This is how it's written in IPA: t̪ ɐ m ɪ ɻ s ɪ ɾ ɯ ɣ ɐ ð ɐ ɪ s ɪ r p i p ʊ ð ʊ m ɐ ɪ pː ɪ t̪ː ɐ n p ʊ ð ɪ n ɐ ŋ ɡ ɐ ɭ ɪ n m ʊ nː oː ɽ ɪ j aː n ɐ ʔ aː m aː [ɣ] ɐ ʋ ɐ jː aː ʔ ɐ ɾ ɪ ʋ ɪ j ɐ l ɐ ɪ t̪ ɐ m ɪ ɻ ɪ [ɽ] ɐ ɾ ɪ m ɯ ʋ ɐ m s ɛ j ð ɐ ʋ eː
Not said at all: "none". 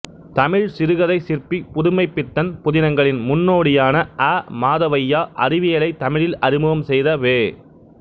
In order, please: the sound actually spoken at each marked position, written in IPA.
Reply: ð, l

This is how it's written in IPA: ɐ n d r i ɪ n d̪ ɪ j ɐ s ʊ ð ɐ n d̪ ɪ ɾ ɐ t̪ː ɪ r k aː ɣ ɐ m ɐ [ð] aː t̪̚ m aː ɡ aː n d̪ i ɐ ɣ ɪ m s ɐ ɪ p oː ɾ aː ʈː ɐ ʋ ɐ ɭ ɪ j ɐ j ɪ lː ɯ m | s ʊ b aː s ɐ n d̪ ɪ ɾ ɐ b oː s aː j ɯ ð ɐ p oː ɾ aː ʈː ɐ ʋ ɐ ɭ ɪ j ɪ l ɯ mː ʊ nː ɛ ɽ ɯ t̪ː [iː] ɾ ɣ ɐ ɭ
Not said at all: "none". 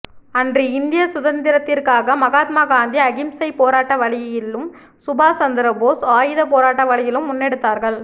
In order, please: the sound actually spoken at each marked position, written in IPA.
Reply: ɣ, aː

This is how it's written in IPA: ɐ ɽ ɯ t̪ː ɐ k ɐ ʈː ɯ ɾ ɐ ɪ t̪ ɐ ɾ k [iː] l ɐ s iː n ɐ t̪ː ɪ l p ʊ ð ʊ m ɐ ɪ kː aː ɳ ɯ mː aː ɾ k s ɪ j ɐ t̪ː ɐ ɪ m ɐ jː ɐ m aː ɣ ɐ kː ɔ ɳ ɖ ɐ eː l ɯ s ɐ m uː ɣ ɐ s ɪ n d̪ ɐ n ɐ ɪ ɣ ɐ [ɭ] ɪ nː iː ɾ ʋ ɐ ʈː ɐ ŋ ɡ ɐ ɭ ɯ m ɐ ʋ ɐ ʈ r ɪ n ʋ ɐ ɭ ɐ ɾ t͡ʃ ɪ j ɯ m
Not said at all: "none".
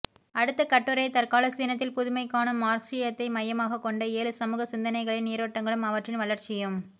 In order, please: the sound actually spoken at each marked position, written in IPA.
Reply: aː, ɭ

